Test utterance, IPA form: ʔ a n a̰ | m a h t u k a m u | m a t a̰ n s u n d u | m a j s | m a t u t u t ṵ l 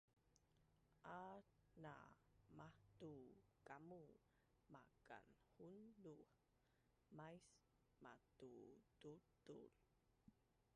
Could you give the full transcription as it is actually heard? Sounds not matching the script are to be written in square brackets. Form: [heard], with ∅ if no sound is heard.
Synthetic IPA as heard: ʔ a n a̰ | m a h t u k a m u | m a [k] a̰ n [h] u n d u | m a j s | m a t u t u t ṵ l